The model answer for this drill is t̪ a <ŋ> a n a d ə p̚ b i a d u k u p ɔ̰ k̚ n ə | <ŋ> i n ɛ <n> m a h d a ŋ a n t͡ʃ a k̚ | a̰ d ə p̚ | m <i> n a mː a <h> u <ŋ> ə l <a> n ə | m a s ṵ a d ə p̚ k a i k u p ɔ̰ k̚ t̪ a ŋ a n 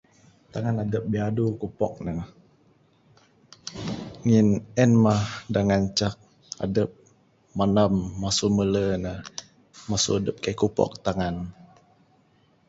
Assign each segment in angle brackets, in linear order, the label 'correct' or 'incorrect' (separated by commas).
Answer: correct, correct, correct, incorrect, incorrect, incorrect, incorrect